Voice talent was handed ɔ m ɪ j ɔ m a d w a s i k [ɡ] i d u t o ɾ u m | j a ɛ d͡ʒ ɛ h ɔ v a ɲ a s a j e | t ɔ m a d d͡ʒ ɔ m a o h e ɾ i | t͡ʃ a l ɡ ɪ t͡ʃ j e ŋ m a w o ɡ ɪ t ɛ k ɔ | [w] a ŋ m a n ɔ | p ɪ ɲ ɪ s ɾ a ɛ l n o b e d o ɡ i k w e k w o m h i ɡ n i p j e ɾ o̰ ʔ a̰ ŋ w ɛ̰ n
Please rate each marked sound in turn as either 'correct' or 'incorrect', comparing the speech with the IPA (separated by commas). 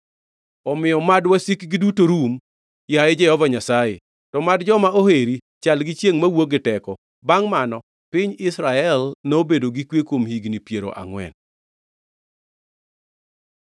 correct, incorrect